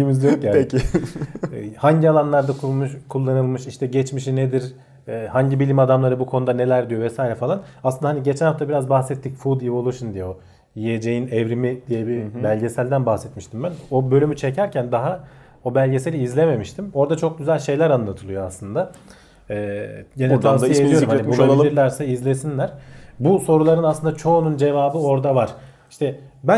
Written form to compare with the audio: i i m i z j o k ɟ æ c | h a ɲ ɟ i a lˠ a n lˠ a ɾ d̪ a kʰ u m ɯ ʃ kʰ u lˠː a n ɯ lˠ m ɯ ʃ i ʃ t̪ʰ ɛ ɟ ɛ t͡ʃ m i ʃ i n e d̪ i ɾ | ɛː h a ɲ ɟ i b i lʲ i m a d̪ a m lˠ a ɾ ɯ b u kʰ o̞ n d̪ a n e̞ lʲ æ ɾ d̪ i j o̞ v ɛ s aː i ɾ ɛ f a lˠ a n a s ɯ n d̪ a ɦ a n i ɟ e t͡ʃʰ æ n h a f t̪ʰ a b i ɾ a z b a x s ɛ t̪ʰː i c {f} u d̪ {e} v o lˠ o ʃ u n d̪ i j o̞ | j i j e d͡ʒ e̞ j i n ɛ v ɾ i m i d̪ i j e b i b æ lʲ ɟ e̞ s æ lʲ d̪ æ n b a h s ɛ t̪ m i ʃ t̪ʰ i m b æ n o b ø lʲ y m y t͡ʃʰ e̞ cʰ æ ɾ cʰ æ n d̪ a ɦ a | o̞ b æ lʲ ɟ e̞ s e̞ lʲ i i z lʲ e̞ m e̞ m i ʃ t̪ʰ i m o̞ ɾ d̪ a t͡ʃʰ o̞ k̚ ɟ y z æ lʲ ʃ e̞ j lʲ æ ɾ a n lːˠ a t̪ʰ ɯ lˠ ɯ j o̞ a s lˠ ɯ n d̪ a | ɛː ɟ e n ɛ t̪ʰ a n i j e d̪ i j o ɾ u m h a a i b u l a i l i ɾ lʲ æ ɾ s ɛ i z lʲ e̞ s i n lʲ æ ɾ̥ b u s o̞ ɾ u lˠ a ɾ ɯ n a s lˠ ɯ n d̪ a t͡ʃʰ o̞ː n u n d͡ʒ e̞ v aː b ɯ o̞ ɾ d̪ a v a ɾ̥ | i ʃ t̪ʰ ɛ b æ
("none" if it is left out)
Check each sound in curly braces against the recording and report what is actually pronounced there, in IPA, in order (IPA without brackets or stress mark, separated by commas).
f, i